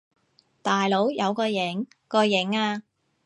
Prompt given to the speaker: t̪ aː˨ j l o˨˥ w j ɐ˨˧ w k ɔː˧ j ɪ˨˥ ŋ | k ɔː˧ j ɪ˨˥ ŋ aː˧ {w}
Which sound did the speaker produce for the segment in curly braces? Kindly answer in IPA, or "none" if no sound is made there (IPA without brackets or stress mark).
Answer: none